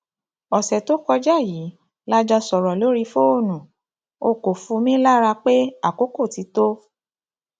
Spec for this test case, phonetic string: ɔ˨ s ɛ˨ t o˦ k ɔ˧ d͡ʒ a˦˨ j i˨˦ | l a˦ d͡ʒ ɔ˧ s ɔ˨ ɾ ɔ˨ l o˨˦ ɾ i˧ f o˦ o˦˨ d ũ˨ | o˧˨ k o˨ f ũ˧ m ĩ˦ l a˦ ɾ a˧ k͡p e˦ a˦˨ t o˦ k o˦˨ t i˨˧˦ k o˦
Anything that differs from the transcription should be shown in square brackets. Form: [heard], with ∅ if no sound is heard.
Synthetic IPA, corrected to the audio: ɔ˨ s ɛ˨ t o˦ k ɔ˧ d͡ʒ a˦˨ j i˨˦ | l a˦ d͡ʒ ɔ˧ s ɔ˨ ɾ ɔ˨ l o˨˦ ɾ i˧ f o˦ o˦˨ [n] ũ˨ | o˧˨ k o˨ f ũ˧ m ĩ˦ l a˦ ɾ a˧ k͡p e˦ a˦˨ [k] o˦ k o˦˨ t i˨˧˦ [t] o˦